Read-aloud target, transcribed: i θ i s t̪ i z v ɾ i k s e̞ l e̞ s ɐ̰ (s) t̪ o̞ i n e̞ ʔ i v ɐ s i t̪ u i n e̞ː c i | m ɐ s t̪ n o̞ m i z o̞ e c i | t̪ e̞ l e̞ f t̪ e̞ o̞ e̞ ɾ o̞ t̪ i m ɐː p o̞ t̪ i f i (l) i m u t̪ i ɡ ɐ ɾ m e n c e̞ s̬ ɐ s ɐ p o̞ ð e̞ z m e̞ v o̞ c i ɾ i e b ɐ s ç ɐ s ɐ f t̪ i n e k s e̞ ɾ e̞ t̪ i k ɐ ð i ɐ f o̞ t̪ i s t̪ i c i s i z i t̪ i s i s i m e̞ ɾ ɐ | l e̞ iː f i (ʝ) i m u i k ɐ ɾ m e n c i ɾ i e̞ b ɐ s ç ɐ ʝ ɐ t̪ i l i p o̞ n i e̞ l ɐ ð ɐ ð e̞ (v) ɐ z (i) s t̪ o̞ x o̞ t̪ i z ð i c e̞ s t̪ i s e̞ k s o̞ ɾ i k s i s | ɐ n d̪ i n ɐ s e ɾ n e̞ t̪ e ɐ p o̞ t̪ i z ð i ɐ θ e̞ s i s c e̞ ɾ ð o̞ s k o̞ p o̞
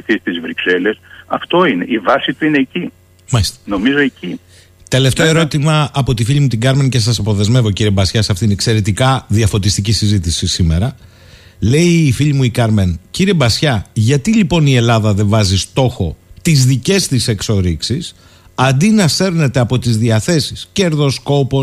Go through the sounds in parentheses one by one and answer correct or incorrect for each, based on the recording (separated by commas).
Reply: incorrect, incorrect, incorrect, correct, correct